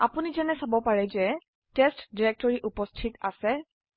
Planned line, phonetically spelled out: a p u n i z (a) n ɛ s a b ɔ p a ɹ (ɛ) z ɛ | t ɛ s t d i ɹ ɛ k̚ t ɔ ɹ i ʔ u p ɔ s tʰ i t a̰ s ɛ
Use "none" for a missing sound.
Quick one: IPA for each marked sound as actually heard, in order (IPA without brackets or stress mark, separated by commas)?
ɛ, ɛ